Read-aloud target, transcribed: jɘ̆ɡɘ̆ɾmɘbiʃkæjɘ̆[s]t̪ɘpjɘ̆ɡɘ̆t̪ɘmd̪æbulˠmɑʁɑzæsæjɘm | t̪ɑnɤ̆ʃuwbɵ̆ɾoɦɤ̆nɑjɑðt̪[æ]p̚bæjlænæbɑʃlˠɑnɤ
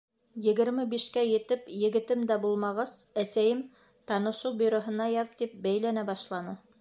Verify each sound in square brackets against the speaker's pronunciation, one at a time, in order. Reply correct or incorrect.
incorrect: none, incorrect: i

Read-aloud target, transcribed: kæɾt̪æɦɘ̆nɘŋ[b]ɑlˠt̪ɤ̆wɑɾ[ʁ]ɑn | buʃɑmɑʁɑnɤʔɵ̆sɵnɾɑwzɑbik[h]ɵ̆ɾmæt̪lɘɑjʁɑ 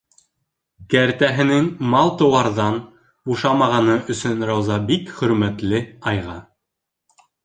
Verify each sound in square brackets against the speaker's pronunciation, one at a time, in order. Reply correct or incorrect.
incorrect: m, incorrect: ð, incorrect: χ

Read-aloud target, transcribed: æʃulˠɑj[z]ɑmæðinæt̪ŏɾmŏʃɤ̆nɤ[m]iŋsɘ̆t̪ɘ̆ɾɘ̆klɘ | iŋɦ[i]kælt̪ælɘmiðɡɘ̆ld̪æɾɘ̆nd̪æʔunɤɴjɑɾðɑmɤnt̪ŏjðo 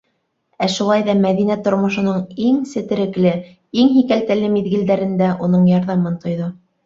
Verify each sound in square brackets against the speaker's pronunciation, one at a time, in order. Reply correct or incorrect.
incorrect: ð, incorrect: ɴ, correct

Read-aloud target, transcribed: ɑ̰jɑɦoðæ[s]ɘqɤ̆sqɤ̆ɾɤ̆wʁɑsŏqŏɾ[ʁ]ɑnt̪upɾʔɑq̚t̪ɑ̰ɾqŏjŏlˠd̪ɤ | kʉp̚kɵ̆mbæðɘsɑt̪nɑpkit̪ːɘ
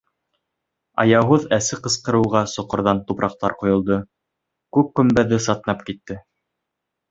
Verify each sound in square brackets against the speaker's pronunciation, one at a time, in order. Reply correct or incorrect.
correct, incorrect: ð

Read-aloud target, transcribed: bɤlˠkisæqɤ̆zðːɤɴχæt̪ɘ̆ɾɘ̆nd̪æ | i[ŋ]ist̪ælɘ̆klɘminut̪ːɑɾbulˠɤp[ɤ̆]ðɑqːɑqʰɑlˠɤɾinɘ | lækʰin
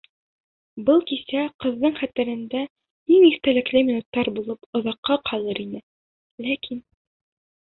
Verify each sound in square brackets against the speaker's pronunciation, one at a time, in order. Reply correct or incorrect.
correct, incorrect: ŏ

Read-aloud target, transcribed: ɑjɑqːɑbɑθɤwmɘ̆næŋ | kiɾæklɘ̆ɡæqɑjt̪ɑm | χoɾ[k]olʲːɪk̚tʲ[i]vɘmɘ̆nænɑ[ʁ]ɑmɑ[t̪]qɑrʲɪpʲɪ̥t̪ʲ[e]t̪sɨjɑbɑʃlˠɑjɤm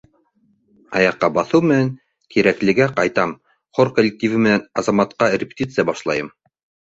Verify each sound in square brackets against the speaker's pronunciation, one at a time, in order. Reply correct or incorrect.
correct, correct, incorrect: z, correct, incorrect: i

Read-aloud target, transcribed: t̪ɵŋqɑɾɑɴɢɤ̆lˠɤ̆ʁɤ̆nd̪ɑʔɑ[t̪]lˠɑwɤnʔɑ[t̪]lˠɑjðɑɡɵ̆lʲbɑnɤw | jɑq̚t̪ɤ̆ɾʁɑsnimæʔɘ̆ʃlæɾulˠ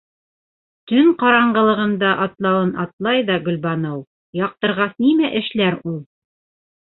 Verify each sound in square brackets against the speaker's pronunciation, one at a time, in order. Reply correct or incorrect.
correct, correct

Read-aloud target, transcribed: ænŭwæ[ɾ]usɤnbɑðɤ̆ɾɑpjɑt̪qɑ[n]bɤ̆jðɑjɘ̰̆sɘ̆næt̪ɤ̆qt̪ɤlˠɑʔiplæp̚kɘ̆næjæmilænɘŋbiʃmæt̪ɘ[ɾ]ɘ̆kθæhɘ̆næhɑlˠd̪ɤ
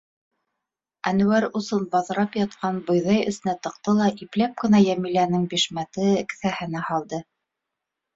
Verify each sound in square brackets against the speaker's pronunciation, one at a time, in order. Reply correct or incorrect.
correct, correct, incorrect: none

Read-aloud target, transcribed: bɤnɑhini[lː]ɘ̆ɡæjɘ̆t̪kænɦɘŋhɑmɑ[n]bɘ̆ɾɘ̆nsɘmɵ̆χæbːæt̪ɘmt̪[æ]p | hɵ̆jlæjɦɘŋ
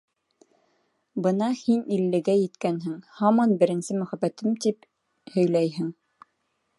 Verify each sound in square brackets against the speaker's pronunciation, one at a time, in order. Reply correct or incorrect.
correct, correct, incorrect: i

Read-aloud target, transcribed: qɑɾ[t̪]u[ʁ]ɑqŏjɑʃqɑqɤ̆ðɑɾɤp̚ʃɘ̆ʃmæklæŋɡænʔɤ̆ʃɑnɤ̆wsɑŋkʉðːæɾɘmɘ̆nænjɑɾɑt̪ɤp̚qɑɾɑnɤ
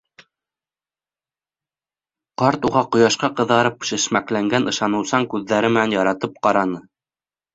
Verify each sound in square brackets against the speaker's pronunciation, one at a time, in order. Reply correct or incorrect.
correct, correct

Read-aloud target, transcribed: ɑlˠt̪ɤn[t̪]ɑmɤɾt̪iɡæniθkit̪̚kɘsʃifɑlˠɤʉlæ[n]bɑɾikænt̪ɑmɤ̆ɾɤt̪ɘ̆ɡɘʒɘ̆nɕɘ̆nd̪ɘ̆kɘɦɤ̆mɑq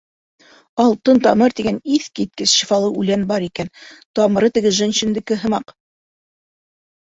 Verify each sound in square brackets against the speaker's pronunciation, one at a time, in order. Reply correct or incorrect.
correct, correct

